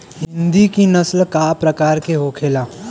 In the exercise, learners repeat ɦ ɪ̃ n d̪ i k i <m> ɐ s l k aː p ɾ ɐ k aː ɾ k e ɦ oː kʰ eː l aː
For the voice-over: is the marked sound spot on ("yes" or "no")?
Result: no